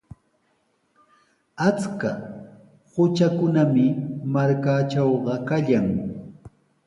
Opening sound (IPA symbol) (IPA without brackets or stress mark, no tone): a